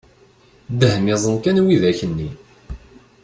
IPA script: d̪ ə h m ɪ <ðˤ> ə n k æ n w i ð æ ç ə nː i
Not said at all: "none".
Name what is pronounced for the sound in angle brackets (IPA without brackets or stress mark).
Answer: zˤ